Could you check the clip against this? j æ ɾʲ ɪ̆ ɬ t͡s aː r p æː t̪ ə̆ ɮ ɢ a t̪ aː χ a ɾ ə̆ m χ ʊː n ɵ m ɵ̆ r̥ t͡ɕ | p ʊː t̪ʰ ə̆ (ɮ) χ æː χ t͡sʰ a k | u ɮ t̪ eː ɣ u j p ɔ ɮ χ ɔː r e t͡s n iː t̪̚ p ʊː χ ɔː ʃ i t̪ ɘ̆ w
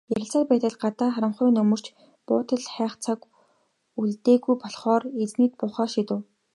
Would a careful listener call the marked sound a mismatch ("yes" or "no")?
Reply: no